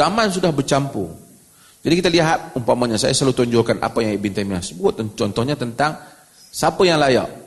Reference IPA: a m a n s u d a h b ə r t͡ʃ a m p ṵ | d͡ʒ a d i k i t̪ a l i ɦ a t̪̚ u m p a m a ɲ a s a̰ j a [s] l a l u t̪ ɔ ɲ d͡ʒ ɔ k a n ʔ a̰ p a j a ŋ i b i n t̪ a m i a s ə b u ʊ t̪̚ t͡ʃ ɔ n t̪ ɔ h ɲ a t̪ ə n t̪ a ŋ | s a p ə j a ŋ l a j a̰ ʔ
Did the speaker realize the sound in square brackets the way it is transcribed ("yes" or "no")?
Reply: yes